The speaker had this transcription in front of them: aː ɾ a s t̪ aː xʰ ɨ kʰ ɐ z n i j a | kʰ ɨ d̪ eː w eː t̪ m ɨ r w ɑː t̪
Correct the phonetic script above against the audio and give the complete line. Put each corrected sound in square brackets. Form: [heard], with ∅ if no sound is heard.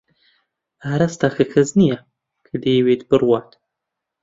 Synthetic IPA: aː ɾ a s t̪ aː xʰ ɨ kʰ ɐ z n i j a | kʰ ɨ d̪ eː w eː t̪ [b] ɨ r w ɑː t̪